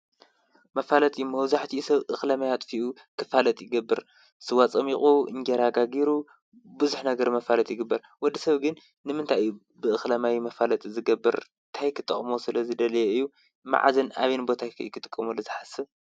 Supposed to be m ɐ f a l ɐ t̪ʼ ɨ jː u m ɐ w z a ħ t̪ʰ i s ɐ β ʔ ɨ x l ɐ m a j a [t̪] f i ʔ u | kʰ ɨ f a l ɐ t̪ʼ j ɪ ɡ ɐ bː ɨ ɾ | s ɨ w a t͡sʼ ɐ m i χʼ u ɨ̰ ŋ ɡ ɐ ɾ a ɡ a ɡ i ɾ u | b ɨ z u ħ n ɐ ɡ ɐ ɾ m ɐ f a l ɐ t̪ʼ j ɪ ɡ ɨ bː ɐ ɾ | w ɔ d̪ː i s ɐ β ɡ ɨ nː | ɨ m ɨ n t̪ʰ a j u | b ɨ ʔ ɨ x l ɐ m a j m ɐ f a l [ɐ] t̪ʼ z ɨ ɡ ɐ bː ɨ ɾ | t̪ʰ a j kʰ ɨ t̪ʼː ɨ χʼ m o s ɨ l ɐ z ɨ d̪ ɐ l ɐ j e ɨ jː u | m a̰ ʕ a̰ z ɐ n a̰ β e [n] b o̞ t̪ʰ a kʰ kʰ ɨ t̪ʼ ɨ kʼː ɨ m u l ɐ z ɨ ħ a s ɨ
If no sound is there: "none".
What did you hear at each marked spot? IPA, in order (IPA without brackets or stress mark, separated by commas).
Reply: t̪ʼ, ɐ, n